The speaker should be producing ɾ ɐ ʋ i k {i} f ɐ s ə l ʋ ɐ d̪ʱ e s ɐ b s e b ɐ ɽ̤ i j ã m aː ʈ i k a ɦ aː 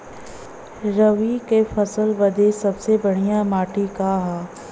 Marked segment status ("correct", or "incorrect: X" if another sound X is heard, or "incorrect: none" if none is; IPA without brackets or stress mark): incorrect: e